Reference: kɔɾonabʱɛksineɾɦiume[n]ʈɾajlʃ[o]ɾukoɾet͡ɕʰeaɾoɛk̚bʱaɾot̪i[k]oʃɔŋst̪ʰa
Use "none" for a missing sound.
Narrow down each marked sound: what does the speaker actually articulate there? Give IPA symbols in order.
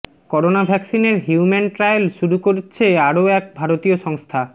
n, u, none

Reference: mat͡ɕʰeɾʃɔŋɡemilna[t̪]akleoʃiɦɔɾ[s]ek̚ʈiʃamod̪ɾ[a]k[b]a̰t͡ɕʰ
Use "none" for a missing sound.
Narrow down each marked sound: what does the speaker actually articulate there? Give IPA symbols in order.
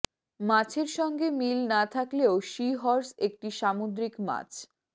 t̪ʰ, s, i, m

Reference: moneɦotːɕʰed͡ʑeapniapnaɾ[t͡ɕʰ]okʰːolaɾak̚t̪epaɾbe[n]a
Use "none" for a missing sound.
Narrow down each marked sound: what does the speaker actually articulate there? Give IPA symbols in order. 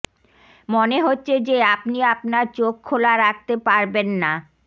t͡ɕ, nː

